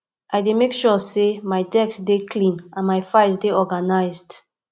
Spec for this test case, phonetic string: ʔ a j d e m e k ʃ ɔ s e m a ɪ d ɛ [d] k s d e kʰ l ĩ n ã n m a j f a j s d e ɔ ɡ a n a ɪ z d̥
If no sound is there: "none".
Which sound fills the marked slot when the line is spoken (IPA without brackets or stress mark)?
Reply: none